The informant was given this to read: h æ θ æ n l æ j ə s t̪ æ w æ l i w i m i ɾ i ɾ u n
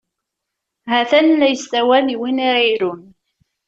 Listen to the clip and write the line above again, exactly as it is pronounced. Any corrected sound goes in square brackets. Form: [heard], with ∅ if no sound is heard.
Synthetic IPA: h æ θ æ n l æ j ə s t̪ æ w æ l i w i [n] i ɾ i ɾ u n

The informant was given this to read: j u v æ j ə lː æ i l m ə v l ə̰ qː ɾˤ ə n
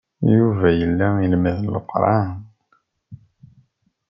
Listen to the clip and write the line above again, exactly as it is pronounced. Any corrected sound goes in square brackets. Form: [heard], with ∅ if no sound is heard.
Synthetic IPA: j u v æ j ə lː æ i l m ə [ð] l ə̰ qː ɾˤ [ɑ] n

